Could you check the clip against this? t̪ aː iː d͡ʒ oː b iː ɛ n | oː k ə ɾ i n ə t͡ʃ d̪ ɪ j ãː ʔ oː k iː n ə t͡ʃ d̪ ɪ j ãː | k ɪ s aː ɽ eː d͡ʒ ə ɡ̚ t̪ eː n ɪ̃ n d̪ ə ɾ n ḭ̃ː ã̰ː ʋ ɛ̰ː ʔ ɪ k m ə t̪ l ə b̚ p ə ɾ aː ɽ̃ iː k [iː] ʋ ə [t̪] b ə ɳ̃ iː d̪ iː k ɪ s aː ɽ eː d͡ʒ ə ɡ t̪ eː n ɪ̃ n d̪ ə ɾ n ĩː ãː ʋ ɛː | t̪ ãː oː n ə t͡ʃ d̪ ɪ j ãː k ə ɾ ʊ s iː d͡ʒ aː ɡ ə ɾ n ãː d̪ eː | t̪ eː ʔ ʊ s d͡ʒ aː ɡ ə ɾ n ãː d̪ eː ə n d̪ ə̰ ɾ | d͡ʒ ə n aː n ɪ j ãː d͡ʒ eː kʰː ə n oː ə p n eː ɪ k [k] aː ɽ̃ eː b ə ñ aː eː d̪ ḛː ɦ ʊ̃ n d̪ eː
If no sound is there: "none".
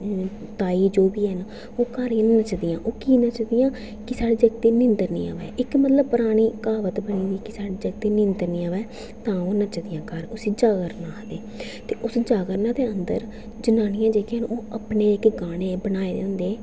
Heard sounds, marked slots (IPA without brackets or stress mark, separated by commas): aː, t̪, ɡ